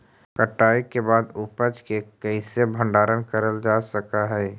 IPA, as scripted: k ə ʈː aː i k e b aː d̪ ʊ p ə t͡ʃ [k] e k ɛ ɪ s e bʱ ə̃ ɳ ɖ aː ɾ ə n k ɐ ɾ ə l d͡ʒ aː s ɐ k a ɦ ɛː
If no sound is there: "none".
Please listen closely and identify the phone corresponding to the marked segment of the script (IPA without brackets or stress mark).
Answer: k